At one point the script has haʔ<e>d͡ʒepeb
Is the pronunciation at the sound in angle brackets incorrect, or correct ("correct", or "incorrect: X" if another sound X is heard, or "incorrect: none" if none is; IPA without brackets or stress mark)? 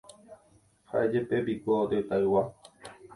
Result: correct